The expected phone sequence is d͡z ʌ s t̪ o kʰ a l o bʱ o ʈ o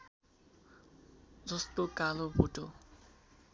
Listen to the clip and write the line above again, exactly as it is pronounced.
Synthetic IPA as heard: d͡z ʌ s t̪ o k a l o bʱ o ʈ o